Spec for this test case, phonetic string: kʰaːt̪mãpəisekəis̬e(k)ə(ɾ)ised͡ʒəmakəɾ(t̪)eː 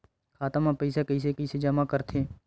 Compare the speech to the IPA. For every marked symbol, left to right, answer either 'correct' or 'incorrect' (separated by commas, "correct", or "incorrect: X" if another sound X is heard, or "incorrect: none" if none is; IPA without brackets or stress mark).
correct, incorrect: none, incorrect: t̪ʰ